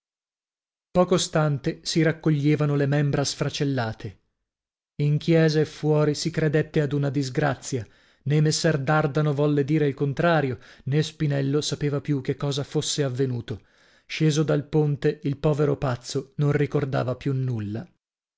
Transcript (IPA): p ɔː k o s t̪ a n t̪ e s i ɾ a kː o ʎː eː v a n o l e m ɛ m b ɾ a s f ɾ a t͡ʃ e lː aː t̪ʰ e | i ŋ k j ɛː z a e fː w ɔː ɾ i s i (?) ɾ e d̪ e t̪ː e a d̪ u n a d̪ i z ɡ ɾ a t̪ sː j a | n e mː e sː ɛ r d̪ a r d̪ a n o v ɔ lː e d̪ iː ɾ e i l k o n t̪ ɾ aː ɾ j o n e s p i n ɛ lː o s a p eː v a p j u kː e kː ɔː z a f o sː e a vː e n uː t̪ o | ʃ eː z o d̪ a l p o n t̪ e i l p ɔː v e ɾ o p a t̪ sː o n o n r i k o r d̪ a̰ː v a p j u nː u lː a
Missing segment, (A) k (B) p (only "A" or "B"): A